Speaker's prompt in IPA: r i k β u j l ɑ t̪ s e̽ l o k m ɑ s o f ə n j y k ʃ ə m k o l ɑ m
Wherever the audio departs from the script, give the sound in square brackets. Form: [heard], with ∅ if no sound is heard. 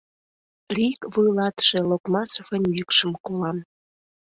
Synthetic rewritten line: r i k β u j l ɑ t̪ [ʃ] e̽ l o k m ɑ s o f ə n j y k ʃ ə m k o l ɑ m